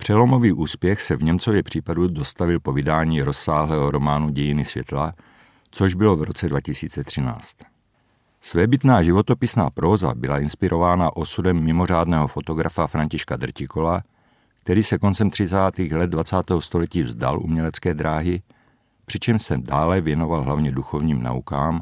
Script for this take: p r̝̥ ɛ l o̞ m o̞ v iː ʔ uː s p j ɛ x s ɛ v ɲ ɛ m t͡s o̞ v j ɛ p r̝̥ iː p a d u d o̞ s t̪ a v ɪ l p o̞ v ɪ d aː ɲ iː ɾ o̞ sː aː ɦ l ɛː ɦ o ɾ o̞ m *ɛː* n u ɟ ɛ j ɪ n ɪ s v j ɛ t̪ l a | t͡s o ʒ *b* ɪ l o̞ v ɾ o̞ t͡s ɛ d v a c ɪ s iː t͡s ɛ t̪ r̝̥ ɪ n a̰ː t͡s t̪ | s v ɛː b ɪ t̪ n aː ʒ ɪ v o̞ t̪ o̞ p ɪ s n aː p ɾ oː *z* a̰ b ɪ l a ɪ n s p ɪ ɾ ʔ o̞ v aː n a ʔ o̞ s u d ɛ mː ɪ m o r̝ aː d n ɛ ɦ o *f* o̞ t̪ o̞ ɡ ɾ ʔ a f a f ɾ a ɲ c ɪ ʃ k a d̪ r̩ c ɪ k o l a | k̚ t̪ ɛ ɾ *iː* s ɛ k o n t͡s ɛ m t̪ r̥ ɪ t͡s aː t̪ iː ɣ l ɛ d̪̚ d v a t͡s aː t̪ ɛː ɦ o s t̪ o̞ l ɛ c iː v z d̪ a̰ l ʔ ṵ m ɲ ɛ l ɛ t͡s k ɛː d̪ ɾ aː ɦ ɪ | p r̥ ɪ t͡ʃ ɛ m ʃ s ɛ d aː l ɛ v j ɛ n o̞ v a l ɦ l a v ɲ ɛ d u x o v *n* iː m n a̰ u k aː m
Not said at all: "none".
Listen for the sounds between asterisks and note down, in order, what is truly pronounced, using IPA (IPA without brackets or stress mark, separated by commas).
aː, b, z, f, iː, ɲ